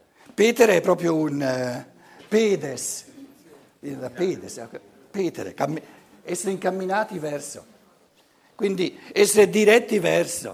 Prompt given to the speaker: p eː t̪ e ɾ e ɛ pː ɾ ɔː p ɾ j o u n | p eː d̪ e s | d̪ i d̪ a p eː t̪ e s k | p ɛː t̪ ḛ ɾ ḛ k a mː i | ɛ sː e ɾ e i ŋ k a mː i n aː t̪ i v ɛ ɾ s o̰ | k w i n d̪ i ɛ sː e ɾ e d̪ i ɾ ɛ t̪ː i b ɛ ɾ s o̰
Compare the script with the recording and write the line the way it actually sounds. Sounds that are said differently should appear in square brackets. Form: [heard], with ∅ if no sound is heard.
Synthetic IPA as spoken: p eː t̪ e ɾ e ɛ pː ɾ ɔː p ɾ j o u n | p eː d̪ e s | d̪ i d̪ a p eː [d̪] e s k | p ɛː t̪ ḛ ɾ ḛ k a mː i | ɛ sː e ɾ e i ŋ k a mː i n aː t̪ i v ɛ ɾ s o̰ | k w i n d̪ i ɛ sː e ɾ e d̪ i ɾ ɛ t̪ː i [v] ɛ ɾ s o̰